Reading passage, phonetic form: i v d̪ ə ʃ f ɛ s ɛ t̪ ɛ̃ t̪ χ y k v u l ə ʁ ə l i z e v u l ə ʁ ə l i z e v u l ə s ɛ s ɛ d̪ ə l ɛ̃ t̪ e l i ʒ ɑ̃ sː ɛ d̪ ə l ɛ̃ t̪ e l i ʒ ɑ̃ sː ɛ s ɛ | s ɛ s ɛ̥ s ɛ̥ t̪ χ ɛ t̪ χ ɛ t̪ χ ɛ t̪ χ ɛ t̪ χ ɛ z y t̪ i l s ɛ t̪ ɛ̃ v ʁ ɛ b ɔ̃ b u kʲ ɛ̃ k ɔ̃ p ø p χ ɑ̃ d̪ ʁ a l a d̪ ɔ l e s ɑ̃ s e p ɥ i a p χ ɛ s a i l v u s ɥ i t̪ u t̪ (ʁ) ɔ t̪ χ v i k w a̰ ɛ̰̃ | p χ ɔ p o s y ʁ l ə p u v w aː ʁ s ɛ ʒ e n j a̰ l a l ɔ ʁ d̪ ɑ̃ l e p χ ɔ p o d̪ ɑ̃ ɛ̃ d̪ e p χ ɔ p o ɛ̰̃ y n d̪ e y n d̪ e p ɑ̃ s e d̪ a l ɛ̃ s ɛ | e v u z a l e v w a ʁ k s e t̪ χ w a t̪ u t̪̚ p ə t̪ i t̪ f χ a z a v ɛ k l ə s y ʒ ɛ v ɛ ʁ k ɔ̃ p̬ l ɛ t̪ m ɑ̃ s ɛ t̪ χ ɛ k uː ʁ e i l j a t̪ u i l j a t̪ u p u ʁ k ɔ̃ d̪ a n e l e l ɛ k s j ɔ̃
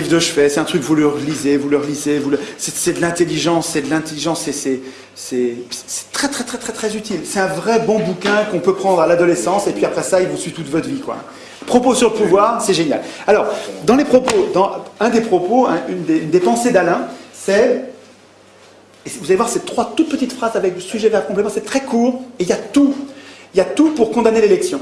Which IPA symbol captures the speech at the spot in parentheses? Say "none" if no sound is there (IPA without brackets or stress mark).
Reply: v